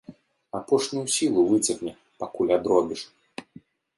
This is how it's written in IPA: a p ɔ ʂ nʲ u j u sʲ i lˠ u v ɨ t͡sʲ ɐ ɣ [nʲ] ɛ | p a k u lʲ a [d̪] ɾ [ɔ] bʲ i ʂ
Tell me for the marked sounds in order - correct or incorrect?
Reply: correct, correct, correct

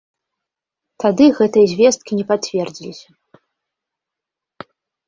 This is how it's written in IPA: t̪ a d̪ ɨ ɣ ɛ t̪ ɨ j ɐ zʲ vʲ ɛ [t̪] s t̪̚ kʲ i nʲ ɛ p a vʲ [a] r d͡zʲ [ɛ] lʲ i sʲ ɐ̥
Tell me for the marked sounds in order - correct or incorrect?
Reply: incorrect: none, incorrect: ɛ, incorrect: i

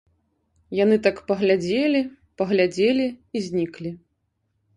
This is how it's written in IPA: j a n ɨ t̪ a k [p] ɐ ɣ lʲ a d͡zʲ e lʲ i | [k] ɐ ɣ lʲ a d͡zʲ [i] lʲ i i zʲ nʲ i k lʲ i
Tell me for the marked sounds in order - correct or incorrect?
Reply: correct, incorrect: p, incorrect: e

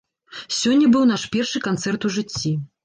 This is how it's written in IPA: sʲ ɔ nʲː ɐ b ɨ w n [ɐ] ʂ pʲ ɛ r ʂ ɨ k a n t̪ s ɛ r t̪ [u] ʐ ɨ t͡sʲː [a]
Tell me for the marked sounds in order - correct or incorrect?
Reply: incorrect: a, correct, incorrect: i

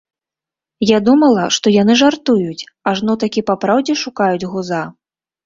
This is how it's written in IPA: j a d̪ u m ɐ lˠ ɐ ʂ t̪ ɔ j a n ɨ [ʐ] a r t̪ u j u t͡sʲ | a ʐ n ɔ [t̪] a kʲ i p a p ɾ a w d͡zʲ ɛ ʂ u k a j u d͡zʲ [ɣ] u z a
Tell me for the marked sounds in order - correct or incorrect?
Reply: correct, correct, correct

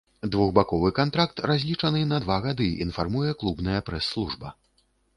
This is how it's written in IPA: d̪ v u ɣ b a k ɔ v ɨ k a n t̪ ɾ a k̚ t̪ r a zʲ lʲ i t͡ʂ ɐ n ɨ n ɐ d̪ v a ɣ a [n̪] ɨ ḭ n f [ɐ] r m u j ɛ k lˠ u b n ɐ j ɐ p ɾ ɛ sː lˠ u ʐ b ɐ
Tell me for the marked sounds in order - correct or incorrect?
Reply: incorrect: d̪, incorrect: a

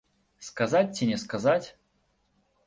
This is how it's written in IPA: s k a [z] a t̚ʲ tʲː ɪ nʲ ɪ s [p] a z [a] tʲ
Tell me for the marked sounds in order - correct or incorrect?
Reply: correct, incorrect: k, correct

